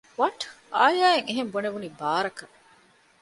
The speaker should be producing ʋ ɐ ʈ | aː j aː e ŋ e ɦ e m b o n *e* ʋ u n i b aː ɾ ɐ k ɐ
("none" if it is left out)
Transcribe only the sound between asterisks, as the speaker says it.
e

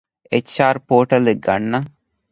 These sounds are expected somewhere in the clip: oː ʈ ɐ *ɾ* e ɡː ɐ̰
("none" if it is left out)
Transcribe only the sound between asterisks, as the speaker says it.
l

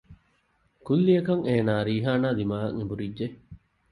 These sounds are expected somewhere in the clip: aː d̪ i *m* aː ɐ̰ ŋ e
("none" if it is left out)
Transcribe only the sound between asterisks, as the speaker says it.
m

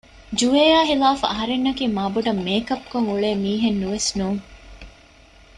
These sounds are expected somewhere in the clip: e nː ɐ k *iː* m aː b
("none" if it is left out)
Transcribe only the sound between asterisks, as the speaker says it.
iː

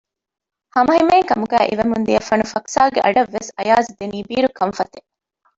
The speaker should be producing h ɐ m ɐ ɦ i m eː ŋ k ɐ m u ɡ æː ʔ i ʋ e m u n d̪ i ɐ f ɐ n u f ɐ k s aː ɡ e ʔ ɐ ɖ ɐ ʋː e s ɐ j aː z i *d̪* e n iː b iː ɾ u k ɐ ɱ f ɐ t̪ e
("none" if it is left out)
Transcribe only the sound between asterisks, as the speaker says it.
d̪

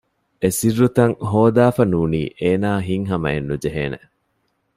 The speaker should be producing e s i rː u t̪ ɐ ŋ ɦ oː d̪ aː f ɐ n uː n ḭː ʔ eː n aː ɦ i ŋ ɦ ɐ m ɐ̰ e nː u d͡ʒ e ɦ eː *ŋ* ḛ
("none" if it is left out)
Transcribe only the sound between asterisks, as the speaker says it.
n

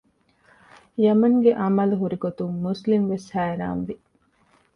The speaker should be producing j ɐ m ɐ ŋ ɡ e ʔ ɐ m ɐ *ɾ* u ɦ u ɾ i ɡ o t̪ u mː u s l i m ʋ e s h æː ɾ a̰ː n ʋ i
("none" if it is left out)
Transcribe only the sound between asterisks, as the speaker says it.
l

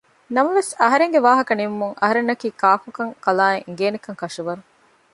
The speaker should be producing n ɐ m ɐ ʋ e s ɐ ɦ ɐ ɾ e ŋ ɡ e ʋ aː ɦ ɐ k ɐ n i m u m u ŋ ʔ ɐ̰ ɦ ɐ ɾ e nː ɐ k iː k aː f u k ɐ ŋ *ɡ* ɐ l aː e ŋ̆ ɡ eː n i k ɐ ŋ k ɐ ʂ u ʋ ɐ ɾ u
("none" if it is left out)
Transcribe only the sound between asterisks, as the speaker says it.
k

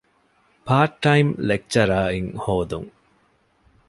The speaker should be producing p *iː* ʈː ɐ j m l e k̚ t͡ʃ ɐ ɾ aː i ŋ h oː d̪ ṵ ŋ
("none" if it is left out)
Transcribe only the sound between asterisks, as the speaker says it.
aː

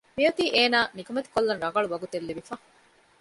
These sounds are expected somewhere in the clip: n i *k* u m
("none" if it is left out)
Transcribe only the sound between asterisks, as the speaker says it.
k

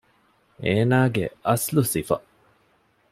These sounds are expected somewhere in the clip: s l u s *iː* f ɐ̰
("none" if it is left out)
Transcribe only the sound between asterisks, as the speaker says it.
i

